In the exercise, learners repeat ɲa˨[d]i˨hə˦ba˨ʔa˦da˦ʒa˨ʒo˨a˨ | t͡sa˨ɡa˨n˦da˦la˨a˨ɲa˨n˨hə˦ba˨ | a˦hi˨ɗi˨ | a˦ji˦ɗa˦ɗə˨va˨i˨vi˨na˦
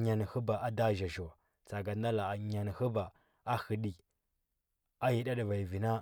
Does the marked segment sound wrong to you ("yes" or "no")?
yes